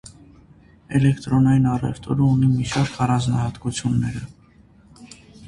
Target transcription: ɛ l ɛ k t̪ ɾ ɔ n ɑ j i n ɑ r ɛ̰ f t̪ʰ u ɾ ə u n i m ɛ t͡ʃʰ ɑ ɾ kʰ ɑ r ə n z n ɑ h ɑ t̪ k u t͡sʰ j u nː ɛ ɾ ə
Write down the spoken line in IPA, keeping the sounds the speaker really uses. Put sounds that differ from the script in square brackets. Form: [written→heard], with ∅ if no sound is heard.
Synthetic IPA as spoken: ɛ l ɛ k t̪ ɾ ɔ n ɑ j i n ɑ r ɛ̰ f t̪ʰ [u→ɔ] ɾ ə u n i m [ɛ→i] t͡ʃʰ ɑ ɾ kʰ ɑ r [ə→ɑ] n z n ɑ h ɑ t̪ k u t͡sʰ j u nː ɛ ɾ ə